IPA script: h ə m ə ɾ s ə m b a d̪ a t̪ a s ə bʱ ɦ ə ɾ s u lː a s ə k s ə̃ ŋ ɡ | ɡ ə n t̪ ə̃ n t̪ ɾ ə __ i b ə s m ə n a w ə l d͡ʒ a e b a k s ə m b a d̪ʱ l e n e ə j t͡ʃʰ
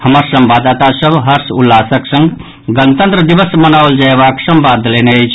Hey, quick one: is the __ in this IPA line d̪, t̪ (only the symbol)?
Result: d̪